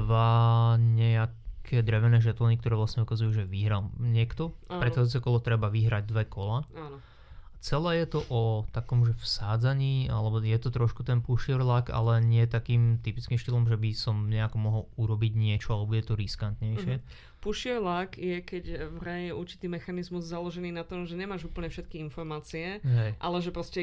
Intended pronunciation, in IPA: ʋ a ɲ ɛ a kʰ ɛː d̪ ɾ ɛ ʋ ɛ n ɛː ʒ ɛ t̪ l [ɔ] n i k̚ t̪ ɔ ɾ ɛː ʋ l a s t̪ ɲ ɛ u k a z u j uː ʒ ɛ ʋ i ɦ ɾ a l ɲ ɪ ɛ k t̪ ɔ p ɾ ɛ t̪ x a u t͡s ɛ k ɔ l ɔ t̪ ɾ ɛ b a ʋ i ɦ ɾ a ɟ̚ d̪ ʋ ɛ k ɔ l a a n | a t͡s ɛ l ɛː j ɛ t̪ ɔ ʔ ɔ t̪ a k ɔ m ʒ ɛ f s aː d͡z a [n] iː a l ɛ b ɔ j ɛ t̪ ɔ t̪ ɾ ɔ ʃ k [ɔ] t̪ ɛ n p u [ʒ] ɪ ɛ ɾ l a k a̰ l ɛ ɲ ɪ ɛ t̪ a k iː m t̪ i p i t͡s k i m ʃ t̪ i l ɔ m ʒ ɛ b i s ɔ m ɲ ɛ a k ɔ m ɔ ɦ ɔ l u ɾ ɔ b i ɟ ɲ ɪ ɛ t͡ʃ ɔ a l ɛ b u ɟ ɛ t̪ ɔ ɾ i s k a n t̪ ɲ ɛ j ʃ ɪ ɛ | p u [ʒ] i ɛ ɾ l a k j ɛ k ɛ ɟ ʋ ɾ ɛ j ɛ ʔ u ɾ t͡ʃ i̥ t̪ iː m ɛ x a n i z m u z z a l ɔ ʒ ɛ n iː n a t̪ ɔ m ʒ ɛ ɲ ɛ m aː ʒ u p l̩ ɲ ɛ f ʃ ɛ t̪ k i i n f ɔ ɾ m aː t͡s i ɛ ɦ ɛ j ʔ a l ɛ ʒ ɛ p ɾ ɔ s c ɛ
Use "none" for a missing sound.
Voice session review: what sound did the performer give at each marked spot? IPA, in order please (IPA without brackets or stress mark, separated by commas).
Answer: ɔ, ɲ, u, ʃ, ʃ